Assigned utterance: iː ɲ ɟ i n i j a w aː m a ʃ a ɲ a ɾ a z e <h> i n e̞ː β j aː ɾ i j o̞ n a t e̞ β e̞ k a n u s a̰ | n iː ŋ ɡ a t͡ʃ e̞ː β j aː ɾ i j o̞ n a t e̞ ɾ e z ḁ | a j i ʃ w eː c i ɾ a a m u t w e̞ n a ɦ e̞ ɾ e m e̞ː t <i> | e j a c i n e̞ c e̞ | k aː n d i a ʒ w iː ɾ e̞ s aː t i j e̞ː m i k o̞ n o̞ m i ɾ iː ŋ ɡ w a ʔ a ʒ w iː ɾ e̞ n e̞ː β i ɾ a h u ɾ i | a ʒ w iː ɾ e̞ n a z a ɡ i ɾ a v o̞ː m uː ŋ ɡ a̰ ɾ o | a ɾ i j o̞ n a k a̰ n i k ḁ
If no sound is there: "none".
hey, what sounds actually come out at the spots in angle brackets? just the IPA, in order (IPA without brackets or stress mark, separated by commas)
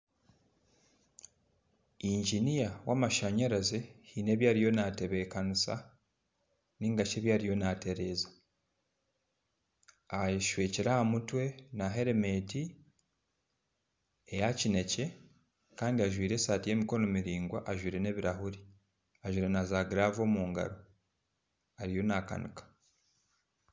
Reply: h, i